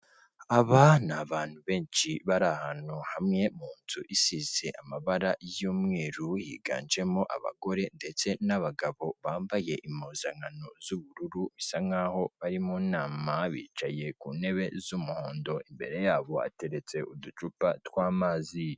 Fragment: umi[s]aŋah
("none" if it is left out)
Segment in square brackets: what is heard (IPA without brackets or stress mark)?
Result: s